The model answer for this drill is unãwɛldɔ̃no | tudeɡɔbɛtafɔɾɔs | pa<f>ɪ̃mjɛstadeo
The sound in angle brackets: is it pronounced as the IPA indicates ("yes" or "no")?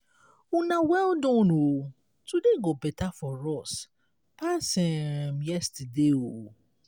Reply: no